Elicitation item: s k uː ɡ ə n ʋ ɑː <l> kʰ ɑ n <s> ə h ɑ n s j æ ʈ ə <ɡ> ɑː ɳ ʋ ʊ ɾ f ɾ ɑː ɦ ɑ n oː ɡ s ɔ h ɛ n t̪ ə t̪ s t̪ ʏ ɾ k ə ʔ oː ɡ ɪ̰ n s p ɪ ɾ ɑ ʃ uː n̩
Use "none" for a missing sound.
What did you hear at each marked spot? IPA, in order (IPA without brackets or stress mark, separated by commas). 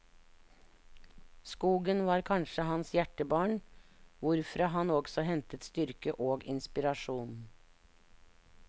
ɾ, ʃ, b